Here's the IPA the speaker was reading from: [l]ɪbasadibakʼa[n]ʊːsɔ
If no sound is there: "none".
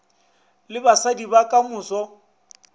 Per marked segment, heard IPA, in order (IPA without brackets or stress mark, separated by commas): l, m